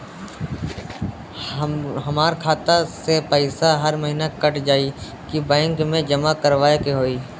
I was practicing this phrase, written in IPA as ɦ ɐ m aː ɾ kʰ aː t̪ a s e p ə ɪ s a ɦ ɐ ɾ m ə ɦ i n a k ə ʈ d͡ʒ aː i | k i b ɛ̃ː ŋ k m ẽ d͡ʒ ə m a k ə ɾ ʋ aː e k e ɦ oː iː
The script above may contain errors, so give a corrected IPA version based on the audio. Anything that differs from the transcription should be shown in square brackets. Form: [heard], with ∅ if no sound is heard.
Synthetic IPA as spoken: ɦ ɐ m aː ɾ kʰ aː t̪ a s e p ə ɪ s a ɦ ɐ ɾ m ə ɦ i n a k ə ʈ d͡ʒ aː i | k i b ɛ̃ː ŋ k m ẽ d͡ʒ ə m a k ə ɾ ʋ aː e k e ɦ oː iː